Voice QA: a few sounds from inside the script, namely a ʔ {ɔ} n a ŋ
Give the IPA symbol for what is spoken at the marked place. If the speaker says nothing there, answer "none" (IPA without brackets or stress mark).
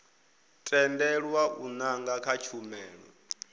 u